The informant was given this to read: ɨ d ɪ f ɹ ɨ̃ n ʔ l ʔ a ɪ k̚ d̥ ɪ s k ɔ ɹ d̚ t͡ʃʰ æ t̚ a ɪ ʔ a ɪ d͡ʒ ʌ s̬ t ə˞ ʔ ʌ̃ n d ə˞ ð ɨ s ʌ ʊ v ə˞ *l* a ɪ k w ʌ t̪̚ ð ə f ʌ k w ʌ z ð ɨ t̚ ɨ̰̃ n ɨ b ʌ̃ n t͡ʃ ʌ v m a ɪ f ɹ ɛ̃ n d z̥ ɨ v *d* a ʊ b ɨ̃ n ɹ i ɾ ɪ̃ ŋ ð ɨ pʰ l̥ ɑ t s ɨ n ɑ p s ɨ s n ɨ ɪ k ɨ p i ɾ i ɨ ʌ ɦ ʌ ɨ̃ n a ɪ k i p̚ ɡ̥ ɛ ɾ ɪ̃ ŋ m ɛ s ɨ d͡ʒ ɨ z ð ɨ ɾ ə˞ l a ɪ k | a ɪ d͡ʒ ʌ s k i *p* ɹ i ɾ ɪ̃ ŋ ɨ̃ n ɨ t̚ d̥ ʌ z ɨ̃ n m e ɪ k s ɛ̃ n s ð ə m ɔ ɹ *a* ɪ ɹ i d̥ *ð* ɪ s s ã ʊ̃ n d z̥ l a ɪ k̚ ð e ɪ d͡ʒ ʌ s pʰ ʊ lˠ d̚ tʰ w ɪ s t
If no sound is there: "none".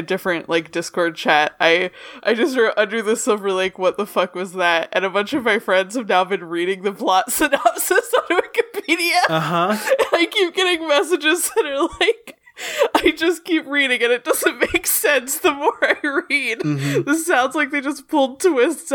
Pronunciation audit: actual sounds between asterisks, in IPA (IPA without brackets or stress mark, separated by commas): l, n, p, a, ð